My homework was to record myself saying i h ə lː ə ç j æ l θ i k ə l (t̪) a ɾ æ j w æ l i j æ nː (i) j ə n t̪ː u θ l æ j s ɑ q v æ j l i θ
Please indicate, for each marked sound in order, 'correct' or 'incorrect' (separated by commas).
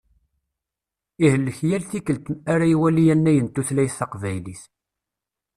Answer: correct, incorrect